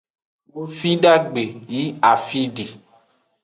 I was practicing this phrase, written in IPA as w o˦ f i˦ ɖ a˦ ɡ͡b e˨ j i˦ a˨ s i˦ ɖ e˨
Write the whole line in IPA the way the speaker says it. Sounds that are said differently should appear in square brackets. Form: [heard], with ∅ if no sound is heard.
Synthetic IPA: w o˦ f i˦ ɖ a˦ ɡ͡b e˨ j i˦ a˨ [f] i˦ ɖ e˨